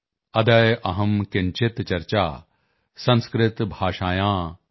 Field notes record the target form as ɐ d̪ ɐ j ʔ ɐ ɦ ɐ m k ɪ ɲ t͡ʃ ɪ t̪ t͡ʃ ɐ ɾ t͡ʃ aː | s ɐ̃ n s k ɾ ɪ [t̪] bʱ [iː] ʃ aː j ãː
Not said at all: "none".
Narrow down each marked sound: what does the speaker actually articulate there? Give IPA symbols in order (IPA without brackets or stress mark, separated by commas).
t̪, aː